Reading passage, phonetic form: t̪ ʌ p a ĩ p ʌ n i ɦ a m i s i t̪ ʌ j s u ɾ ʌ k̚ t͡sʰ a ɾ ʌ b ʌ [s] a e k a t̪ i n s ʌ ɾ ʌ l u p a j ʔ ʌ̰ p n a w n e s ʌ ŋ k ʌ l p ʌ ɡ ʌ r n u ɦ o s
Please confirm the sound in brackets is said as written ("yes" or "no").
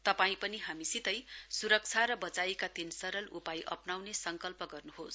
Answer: no